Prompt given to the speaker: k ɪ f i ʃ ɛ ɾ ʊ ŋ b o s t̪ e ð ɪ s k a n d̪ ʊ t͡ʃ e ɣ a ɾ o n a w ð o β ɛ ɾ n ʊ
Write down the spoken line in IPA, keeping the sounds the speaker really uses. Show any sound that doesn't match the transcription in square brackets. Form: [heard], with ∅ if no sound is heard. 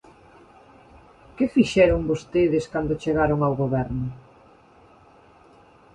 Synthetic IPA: k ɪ f i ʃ ɛ ɾ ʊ ŋ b o s t̪ e ð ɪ s k a n d̪ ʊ t͡ʃ e ɣ a ɾ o [ŋ] a w [ɣ] o β ɛ ɾ n ʊ